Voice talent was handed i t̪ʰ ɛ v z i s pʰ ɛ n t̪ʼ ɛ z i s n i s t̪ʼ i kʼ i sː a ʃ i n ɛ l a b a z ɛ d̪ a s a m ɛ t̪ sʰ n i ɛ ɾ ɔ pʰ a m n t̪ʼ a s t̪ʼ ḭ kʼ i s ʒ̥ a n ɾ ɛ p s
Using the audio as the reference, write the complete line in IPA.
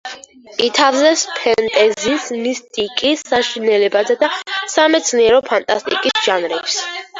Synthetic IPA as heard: i t̪ʰ a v z ɛ s pʰ ɛ n t̪ʼ ɛ z i s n i s t̪ʼ i kʼ i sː a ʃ i n ɛ l ɛ b a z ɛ d̪ a s a m ɛ t̪ sʰ n i ɛ ɾ ɔ pʰ a n t̪ʼ a s t̪ʼ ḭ kʼ i s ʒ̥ a n ɾ ɛ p s